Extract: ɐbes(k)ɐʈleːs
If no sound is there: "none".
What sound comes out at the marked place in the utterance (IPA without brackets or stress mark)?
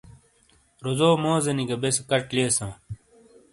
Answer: k